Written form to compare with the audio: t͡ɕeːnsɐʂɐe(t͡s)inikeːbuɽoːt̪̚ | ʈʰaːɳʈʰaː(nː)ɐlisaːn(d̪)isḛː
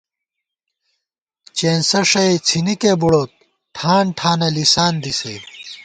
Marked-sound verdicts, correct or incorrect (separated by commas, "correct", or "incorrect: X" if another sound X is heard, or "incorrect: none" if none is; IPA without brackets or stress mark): incorrect: t͡sʰ, incorrect: n, correct